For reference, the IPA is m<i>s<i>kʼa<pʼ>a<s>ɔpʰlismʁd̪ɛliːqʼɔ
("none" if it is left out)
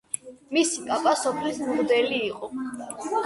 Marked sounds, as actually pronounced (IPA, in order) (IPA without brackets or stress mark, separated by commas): i, i, pʼ, s